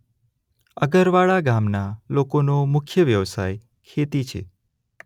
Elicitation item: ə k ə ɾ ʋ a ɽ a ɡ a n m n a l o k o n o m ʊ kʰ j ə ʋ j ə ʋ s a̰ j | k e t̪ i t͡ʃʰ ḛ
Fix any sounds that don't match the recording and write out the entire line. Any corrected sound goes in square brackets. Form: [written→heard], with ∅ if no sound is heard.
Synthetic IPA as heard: ə [k→ɡ] ə ɾ ʋ a [ɽ→ɭ] a ɡ a [n→∅] m n a l o k o n o m ʊ kʰ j ə ʋ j ə ʋ s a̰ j | [k→kʰ] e t̪ i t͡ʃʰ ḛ

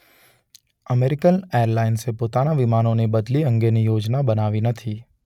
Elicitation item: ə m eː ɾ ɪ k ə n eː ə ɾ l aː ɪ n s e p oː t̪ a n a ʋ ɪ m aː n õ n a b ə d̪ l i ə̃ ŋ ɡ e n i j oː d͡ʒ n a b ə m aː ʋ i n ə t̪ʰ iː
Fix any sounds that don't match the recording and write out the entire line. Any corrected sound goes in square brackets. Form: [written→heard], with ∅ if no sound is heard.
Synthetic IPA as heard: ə m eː ɾ ɪ k ə n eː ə ɾ l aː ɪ n s e p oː t̪ a n a ʋ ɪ m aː n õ n [a→e] b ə d̪ l i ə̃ ŋ ɡ e n i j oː d͡ʒ n a b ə [m→n] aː ʋ i n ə t̪ʰ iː

